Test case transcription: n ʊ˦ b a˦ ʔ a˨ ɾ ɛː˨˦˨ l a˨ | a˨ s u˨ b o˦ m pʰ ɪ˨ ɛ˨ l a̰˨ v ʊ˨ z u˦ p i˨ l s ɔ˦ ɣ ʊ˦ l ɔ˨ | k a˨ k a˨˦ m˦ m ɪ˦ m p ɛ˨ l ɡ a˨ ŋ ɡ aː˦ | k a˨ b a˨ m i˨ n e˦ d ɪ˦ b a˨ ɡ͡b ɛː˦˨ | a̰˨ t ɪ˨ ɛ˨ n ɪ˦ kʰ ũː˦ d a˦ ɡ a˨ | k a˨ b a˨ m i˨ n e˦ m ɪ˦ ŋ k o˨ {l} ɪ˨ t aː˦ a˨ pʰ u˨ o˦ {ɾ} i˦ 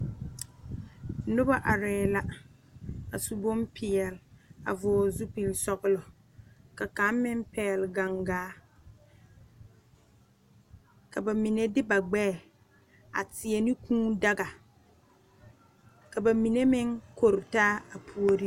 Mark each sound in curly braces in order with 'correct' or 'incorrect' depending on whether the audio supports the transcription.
incorrect, correct

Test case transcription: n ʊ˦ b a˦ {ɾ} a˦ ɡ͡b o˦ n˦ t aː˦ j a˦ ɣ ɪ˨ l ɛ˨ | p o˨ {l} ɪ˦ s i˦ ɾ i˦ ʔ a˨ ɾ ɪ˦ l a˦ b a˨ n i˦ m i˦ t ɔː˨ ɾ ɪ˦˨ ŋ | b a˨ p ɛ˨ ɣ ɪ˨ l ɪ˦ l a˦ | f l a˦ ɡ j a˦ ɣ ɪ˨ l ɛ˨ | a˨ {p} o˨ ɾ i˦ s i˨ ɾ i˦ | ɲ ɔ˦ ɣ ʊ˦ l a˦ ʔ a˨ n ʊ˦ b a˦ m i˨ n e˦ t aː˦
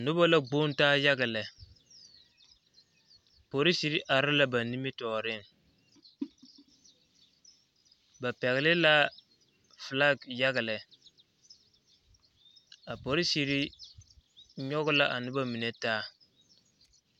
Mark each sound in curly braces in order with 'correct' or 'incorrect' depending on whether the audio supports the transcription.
incorrect, incorrect, correct

